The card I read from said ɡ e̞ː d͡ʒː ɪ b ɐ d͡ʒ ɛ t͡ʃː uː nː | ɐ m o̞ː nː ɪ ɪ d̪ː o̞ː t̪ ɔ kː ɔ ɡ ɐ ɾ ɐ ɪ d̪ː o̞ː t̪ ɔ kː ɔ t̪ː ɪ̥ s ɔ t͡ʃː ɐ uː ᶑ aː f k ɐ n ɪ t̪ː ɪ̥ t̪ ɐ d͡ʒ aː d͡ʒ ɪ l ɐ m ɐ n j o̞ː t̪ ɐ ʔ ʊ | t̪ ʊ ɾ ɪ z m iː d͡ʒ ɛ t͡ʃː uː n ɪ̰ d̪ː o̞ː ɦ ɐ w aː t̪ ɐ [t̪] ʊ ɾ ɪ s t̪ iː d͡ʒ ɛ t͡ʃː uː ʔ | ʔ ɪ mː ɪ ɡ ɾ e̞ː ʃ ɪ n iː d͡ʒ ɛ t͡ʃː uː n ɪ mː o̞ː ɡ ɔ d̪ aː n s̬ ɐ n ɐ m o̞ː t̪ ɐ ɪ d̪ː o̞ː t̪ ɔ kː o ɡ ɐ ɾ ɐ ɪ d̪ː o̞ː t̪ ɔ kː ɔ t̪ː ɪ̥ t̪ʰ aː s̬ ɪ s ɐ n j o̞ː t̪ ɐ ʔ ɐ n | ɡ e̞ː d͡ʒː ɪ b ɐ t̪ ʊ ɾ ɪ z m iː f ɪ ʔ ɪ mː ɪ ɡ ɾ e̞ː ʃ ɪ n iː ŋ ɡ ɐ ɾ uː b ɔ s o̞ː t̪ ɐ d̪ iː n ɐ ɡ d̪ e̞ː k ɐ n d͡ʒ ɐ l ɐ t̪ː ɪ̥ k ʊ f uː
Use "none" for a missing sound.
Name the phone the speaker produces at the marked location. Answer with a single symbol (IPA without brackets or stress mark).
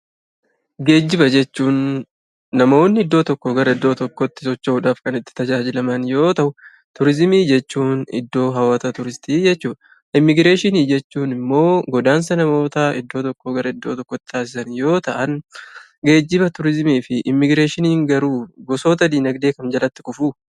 t̪